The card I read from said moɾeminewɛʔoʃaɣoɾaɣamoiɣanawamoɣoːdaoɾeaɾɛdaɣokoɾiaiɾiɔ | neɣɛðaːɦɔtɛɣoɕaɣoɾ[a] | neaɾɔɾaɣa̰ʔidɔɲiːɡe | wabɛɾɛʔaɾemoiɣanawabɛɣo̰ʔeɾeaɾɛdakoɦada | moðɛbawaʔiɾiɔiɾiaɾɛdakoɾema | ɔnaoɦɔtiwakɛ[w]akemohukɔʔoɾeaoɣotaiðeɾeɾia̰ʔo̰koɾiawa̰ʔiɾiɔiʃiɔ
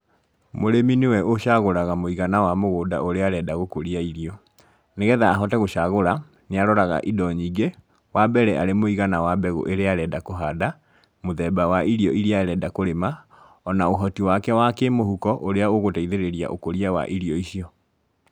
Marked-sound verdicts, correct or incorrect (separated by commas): correct, correct